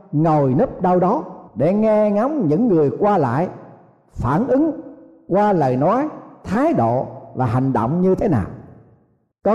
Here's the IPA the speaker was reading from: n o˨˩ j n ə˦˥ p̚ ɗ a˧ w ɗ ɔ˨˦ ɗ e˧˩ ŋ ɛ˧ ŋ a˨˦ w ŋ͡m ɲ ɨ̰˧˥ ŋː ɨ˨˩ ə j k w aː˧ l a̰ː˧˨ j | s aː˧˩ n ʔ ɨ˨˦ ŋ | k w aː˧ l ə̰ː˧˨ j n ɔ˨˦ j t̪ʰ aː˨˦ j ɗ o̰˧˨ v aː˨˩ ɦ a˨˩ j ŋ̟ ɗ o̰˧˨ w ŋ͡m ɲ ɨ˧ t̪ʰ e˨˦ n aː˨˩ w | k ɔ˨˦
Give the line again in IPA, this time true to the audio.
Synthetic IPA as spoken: ŋ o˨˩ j n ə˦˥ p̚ ɗ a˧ w ɗ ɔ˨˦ ɗ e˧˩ ŋ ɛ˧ ŋ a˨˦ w ŋ͡m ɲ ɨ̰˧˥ ŋː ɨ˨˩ ə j k w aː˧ l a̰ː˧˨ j | f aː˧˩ n ʔ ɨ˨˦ ŋ | k w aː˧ l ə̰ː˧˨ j n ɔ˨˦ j t̪ʰ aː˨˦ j ɗ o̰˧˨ v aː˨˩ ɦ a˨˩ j ŋ̟ ɗ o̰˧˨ w ŋ͡m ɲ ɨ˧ t̪ʰ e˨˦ n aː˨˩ w | k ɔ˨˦